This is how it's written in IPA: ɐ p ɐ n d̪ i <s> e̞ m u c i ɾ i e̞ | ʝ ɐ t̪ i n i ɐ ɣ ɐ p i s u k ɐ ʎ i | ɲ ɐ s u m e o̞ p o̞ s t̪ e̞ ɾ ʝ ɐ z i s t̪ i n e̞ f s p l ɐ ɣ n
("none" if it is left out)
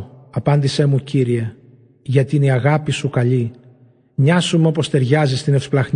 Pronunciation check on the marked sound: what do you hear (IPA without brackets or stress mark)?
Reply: s